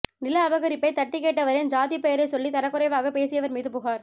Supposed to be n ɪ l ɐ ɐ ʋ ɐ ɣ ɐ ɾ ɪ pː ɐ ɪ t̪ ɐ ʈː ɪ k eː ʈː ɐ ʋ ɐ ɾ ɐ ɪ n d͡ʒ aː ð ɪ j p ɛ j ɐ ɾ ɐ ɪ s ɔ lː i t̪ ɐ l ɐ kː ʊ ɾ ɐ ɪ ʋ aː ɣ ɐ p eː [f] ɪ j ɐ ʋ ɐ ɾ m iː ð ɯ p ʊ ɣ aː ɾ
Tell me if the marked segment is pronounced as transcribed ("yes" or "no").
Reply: no